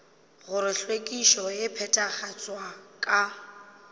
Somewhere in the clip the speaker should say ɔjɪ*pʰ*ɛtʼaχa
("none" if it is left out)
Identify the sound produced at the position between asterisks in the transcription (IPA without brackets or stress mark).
pʰ